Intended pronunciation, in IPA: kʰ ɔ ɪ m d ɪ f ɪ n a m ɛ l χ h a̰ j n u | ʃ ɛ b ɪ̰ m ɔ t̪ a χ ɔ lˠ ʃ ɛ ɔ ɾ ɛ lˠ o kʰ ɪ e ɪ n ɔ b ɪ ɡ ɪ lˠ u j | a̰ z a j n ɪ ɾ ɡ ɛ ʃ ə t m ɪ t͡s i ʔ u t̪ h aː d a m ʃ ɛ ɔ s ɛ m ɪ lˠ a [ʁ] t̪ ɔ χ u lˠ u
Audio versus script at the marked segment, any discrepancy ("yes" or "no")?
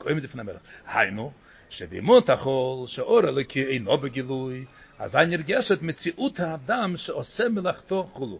yes